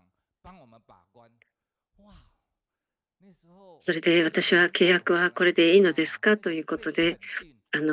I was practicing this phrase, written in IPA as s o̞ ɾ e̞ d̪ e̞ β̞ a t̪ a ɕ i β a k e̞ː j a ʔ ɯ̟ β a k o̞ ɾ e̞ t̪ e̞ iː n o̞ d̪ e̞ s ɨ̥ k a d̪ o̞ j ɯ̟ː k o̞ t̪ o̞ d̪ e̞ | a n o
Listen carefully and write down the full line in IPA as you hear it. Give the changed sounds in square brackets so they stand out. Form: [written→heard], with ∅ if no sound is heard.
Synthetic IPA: s o̞ ɾ e̞ d̪ e̞ β̞ a t̪ a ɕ i β a k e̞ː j a [ʔ→k] ɯ̟ β a k o̞ ɾ e̞ [t̪→d̪] e̞ iː n o̞ d̪ e̞ s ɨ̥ k a [d̪→t̪] o̞ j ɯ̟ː k o̞ t̪ o̞ d̪ e̞ | a n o